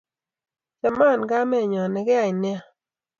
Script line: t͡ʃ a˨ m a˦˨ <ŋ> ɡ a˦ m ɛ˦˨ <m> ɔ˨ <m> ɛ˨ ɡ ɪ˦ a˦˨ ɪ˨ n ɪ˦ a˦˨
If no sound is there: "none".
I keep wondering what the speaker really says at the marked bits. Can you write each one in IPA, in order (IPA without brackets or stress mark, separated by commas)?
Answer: n, ɲ, n